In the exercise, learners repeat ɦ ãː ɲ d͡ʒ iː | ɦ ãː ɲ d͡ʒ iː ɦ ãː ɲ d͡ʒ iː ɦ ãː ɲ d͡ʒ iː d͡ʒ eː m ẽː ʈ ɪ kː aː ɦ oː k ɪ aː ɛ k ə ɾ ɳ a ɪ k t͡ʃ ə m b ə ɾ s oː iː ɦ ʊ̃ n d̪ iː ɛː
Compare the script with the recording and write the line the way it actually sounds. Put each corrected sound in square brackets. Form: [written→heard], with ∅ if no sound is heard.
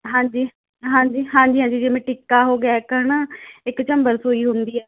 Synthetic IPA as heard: ɦ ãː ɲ d͡ʒ iː | ɦ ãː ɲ d͡ʒ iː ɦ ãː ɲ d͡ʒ iː ɦ ãː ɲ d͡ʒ iː d͡ʒ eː m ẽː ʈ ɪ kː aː ɦ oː [k→ɡ] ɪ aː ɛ k ə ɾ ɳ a ɪ k t͡ʃ ə m b ə ɾ s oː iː ɦ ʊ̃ n d̪ iː ɛː